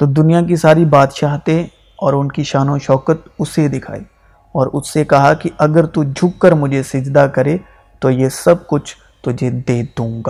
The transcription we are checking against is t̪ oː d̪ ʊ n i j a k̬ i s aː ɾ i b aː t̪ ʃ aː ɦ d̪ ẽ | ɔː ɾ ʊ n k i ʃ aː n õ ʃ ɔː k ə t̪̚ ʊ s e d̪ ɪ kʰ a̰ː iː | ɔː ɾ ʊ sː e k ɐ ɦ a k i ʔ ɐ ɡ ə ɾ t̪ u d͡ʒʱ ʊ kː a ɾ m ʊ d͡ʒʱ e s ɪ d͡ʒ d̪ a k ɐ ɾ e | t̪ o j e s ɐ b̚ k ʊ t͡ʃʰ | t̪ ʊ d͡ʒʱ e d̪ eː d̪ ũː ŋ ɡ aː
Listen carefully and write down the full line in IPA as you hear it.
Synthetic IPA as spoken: t̪ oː d̪ ʊ n i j a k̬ i s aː ɾ i b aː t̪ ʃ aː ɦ t̪ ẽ | ɔː ɾ ʊ n k i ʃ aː n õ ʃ ɔː k ə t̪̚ ʊ s e d̪ ɪ kʰ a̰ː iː | ɔː ɾ ʊ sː e k ɐ ɦ a k i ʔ ɐ ɡ ə ɾ t̪ u d͡ʒʱ ʊ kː ə ɾ m ʊ d͡ʒʱ e s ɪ d͡ʒ d̪ a k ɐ ɾ e | t̪ o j e s ɐ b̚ k ʊ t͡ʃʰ | t̪ ʊ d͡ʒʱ e d̪ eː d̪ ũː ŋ ɡ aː